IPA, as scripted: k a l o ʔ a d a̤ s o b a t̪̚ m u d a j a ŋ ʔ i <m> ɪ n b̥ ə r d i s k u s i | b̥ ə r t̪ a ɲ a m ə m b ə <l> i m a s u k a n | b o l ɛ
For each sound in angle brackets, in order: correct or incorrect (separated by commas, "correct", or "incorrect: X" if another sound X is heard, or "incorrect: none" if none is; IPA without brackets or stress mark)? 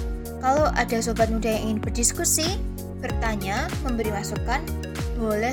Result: incorrect: ŋ, incorrect: ɾ